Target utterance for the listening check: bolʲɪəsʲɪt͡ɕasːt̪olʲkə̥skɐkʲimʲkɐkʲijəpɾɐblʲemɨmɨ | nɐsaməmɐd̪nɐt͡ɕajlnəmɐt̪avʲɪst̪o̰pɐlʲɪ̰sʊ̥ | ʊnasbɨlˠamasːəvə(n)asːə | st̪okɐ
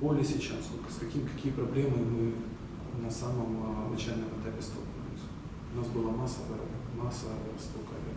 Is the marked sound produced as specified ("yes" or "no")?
no